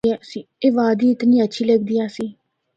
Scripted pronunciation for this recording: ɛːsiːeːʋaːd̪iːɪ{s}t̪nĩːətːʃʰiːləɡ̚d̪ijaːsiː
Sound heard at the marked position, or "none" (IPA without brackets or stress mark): none